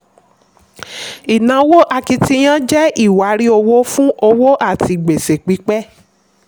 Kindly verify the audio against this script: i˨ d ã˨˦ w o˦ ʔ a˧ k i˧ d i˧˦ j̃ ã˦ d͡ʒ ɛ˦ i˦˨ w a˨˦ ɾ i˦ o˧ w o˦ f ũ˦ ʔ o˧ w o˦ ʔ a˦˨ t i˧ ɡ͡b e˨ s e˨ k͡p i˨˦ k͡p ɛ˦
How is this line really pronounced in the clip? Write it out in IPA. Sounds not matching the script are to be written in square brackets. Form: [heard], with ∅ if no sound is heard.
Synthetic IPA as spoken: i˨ [n] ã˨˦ w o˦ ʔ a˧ k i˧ [t] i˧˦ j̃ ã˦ d͡ʒ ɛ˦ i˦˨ w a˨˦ ɾ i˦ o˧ w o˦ f ũ˦ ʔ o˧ w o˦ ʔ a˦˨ t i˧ ɡ͡b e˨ s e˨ k͡p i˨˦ k͡p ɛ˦